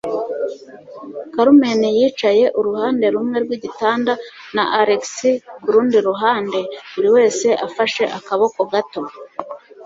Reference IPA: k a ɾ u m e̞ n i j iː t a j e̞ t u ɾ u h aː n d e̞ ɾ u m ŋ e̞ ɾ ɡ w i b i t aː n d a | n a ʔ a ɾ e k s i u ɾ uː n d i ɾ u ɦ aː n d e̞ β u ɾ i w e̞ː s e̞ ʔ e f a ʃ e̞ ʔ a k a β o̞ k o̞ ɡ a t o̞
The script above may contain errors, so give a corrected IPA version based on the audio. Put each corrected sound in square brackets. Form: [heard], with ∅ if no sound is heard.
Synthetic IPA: k a ɾ u m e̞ n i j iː [t͡ʃ] a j e̞ [ʔ] u ɾ u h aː n d e̞ ɾ u m ŋ e̞ ɾ ɡ w i [ɟ] i t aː n d a | n a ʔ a ɾ e k s i u ɾ uː n d i ɾ u ɦ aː n d e̞ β u ɾ i w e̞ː s e̞ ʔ [a] f a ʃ e̞ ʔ a k a β o̞ k o̞ ɡ a t o̞